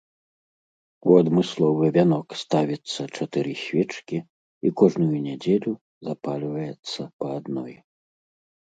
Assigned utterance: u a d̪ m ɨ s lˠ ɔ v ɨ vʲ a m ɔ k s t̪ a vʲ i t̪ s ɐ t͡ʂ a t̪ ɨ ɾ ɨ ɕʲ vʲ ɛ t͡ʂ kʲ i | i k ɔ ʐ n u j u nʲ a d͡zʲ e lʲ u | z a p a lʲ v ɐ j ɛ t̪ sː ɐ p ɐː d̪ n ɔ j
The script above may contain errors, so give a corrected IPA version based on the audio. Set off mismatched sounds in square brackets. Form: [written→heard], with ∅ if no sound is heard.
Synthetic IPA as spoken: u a d̪ m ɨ s lˠ ɔ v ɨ vʲ a [m→n] ɔ k s t̪ a vʲ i t̪ [s→sː] ɐ t͡ʂ a t̪ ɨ ɾ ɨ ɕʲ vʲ ɛ t͡ʂ kʲ i | i k ɔ ʐ n u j u nʲ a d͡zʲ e lʲ u | z a p a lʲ v ɐ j ɛ t̪ sː ɐ p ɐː d̪ n ɔ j